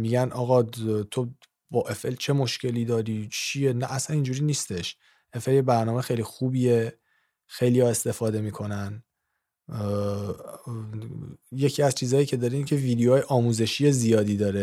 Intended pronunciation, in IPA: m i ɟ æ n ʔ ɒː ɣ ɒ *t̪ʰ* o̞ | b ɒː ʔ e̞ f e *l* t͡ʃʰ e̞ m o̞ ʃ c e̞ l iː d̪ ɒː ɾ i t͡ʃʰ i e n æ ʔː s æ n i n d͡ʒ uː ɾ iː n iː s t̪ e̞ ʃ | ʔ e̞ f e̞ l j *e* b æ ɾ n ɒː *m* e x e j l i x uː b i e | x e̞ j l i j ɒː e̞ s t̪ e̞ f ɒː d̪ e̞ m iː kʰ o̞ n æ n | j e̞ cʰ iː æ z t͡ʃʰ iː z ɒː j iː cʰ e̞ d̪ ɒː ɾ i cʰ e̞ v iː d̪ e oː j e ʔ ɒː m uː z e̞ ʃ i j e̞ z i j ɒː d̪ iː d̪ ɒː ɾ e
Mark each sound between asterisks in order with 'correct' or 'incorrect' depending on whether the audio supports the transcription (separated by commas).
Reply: correct, correct, correct, correct